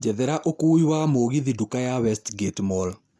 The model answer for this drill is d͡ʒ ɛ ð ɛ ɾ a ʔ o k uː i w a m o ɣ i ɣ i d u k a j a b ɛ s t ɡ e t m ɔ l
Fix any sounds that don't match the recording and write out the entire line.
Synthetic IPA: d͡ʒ ɛ ð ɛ ɾ a ʔ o k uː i w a m o ɣ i ð i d u k a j a w ɛ s t ɡ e t m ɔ l